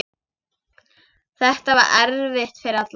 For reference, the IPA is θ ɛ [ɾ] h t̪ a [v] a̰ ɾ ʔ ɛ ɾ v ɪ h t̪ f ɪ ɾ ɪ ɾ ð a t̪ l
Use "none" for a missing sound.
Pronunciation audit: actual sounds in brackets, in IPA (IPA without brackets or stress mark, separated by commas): none, v